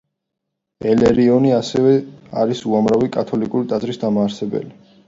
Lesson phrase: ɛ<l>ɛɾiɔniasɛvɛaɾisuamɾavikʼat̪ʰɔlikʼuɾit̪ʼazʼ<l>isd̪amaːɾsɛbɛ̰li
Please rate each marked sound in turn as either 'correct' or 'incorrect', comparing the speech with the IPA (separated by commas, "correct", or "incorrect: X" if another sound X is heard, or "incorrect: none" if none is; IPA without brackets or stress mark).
correct, incorrect: ɾ